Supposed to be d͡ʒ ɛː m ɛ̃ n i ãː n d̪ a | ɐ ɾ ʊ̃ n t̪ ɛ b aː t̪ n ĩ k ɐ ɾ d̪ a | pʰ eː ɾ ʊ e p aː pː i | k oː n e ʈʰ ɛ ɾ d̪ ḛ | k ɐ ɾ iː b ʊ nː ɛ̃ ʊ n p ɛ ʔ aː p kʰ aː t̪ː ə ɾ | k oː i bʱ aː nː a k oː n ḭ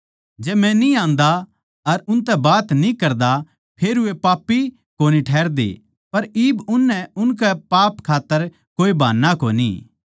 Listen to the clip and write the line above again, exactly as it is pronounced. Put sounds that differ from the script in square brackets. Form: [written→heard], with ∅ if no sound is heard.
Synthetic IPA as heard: d͡ʒ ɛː m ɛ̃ n i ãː n d̪ a | ɐ ɾ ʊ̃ n t̪ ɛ b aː t̪ n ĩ k ɐ ɾ d̪ a | pʰ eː ɾ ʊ e p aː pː i | k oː n [e→i] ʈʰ [ɛ→ɛː] ɾ d̪ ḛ | [k→p] ɐ ɾ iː b ʊ nː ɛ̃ ʊ n [p→k] ɛ [ʔ→p] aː p kʰ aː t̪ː ə ɾ | k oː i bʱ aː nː a k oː n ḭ